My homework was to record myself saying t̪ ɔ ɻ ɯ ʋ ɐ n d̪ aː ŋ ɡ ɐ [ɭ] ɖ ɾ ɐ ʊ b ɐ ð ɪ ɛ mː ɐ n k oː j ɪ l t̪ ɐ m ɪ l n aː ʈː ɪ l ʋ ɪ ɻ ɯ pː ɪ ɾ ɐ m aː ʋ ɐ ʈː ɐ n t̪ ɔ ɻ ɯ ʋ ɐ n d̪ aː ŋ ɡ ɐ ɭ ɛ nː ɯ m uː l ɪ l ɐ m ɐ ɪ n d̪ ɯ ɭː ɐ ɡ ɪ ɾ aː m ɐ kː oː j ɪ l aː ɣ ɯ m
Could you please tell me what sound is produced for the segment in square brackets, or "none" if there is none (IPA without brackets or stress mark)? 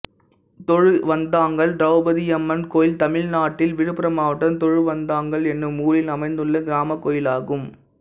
ɭ